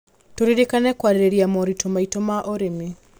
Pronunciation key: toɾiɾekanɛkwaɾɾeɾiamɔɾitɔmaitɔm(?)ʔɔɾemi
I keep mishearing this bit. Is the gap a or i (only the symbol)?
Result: a